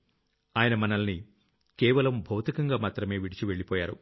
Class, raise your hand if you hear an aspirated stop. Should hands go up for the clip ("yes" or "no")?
no